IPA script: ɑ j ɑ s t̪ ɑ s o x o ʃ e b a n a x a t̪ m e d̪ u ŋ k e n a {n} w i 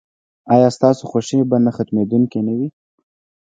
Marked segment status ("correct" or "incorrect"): incorrect